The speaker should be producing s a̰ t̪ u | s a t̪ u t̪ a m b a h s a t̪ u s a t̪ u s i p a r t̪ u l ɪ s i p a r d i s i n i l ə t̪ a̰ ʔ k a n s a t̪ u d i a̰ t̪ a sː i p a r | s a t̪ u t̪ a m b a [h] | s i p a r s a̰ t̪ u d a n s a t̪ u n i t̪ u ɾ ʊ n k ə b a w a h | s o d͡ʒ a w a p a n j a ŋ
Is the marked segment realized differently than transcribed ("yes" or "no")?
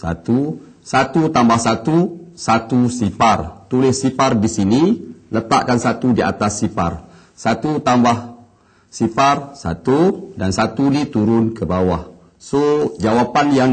no